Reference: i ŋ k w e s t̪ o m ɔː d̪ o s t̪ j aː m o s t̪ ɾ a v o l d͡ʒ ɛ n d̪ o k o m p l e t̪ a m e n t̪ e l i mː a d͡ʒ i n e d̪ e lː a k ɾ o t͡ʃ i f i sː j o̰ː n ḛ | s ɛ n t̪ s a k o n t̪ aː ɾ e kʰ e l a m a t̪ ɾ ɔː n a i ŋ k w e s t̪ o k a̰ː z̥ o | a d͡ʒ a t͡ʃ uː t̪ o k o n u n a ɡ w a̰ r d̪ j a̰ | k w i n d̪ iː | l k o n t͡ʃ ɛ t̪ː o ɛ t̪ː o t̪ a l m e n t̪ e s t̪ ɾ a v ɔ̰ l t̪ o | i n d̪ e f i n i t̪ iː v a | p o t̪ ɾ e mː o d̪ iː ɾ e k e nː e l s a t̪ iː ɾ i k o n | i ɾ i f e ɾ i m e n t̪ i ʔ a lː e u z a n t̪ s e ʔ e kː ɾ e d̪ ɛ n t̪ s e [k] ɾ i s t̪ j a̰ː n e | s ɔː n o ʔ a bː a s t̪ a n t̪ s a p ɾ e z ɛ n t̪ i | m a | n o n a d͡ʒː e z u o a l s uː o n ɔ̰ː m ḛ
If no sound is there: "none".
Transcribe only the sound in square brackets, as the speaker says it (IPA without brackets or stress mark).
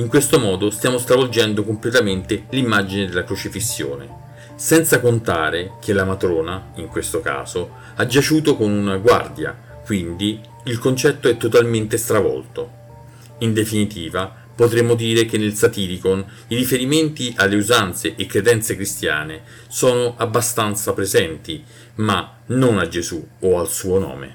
k